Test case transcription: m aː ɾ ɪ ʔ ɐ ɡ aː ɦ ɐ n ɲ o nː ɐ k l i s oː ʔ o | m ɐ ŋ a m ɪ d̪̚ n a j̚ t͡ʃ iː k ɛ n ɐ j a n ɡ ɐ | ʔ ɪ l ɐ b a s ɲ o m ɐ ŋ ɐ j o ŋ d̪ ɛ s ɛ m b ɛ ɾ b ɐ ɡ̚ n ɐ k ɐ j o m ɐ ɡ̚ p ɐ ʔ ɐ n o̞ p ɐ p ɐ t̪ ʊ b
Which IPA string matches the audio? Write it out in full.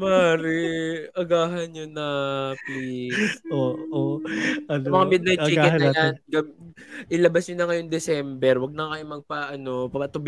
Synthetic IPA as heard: m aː ɾ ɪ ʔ ɐ ɡ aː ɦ ɐ n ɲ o n ɐ p l i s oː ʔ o | m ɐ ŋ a m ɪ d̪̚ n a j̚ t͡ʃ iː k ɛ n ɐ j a n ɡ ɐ | ʔ ɪ l ɐ b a s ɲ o n ɐ ŋ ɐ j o ŋ d̪ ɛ s ɛ m b ɛ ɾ w ɐ ɡ̚ n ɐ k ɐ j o m ɐ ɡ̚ p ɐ ʔ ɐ n o̞ p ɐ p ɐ t̪ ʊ b